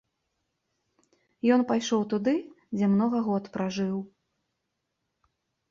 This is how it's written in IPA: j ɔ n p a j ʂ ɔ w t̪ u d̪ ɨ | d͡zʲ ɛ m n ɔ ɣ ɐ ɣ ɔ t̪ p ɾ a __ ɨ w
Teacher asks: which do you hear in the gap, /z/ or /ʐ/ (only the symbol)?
ʐ